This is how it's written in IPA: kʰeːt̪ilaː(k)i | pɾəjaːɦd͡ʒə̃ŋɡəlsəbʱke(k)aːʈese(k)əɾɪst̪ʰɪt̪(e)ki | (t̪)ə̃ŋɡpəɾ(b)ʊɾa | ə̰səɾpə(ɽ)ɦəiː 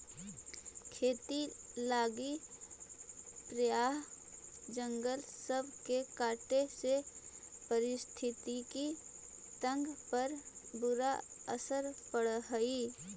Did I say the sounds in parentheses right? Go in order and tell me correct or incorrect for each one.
incorrect: ɡ, correct, incorrect: p, incorrect: i, correct, correct, correct

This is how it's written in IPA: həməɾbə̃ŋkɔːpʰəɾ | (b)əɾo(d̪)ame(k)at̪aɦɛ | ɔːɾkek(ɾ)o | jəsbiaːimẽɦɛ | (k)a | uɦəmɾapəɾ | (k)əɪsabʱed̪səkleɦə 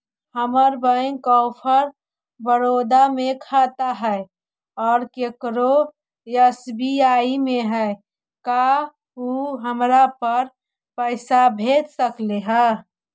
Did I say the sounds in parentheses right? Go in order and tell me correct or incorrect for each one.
correct, correct, incorrect: kʰ, correct, correct, incorrect: p

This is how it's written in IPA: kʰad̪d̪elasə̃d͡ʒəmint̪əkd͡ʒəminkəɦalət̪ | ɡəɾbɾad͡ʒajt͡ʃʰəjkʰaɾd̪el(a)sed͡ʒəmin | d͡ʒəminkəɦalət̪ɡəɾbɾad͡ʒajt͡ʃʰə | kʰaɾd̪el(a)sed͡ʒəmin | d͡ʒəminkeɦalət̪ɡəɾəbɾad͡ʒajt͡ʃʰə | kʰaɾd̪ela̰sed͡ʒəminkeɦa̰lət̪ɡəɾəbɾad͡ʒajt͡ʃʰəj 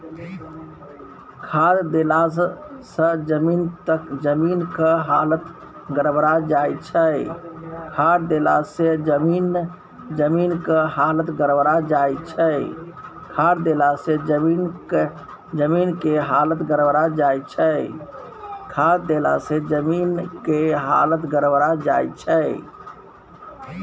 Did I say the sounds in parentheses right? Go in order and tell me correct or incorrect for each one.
correct, correct

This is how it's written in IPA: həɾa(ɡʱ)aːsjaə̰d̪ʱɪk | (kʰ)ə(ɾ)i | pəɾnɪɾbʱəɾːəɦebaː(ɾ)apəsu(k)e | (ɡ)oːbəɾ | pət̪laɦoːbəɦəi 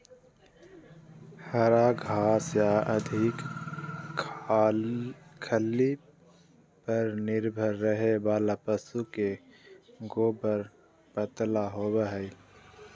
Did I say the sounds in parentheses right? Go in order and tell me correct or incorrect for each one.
correct, correct, incorrect: l, incorrect: l, correct, correct

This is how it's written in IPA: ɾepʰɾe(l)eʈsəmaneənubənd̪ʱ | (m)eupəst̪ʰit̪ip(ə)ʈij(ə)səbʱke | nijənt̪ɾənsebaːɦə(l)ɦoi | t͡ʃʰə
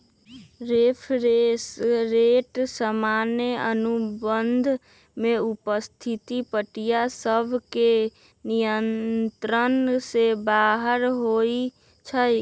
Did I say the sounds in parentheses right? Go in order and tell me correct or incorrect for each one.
incorrect: ɾ, correct, correct, incorrect: a, incorrect: ɾ

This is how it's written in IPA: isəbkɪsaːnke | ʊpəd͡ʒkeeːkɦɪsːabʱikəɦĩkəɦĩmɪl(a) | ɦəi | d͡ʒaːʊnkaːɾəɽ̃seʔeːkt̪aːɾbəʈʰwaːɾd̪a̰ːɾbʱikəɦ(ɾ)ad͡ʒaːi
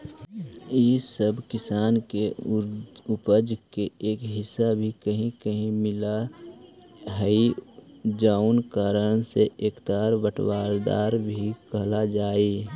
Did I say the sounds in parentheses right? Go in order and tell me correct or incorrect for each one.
correct, incorrect: l

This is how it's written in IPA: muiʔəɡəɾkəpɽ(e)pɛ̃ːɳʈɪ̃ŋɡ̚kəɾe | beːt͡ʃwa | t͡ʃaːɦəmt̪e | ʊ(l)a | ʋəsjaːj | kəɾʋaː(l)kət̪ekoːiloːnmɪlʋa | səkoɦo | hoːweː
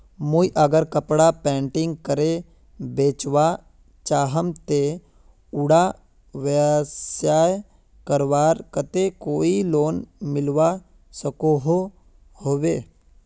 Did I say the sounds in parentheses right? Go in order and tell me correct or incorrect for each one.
incorrect: a, incorrect: ɽ, incorrect: ɾ

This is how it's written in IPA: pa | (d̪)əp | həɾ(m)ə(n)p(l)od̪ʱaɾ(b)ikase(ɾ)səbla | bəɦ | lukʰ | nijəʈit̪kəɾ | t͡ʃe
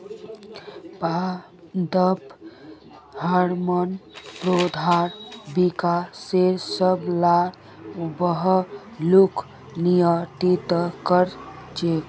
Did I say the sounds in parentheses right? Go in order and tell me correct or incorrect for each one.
correct, correct, correct, incorrect: ɾ, correct, correct

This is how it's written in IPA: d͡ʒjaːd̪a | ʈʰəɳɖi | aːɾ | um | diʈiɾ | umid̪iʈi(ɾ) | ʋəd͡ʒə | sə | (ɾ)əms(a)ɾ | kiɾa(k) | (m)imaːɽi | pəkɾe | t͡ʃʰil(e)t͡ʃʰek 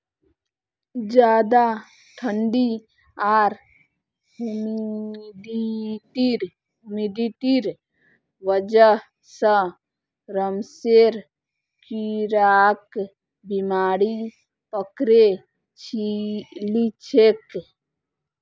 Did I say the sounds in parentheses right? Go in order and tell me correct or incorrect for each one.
correct, correct, incorrect: e, correct, incorrect: b, incorrect: i

